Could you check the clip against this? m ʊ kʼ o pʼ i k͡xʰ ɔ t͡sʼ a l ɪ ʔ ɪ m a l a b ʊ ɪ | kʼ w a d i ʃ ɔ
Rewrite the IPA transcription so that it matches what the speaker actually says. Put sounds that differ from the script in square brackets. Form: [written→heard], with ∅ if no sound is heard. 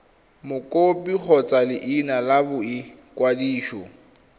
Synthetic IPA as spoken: m ʊ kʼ o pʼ i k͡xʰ ɔ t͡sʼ a l ɪ ʔ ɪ [m→n] a l a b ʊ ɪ | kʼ w a d [i→iː] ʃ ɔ